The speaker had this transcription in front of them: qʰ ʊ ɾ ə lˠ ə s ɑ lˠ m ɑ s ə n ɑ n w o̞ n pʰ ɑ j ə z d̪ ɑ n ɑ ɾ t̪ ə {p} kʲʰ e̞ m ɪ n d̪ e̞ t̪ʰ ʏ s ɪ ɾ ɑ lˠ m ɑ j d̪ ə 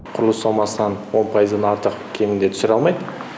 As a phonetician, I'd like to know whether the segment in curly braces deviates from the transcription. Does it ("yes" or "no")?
yes